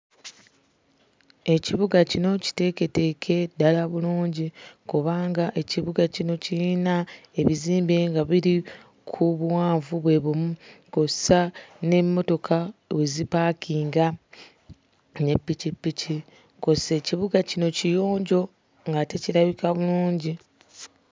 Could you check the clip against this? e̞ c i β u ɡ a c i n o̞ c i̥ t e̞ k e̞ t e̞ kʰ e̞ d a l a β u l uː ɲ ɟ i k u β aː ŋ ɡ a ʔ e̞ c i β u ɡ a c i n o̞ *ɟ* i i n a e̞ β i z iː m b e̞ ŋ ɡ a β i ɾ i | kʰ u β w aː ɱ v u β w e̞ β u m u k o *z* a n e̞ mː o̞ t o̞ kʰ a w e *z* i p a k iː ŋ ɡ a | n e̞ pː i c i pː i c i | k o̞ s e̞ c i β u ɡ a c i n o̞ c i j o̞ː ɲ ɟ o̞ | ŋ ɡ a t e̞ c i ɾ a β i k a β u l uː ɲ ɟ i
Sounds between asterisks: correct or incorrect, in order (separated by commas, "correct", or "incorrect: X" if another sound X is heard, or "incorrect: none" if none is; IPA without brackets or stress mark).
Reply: incorrect: c, incorrect: s, correct